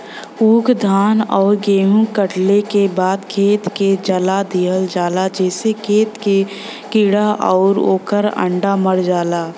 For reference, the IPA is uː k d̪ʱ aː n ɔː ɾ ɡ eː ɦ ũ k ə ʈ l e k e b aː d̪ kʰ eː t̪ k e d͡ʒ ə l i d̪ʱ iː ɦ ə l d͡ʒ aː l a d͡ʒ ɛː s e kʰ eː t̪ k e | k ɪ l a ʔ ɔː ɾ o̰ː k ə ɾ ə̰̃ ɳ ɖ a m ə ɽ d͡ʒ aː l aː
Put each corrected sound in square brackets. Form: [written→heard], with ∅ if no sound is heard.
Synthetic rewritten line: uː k d̪ʱ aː n ɔː ɾ ɡ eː ɦ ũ k ə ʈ l e k e b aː d̪ kʰ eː t̪ k e d͡ʒ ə l [i→a] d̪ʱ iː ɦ ə l d͡ʒ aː l a d͡ʒ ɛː s e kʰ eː t̪ k e | k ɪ [l→ɽ] a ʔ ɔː ɾ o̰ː k ə ɾ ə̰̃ ɳ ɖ a m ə ɽ d͡ʒ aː l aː